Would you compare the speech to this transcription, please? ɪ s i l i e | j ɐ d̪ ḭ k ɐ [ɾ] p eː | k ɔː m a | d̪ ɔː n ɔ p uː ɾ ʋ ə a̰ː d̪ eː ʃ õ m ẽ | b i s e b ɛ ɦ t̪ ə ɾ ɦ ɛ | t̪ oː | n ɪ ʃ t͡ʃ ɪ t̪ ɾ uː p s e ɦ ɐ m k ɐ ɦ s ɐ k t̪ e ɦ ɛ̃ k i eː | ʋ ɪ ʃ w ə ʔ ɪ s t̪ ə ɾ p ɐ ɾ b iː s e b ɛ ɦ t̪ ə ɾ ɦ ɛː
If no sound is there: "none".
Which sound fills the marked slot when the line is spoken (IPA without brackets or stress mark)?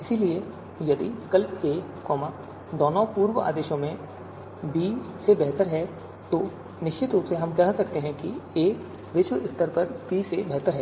l